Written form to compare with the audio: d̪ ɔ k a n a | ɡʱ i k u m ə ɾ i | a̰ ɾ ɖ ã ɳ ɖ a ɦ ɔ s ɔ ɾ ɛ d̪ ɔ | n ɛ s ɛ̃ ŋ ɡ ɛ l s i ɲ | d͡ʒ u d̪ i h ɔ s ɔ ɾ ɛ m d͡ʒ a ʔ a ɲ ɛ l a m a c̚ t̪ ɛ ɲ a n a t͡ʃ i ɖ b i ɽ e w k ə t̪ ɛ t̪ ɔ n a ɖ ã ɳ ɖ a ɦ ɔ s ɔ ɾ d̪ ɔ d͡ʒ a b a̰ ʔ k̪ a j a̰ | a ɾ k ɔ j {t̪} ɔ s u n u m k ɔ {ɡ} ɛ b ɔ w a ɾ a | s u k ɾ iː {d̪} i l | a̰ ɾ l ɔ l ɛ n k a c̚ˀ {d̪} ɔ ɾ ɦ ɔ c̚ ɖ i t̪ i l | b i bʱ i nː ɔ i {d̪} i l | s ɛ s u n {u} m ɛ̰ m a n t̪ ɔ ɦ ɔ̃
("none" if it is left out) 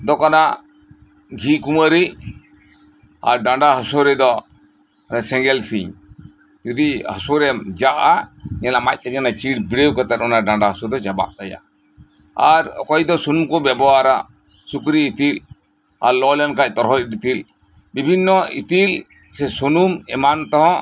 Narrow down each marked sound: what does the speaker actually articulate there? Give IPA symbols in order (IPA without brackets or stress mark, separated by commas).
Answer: d̪, b, t̪, t̪, t̪, u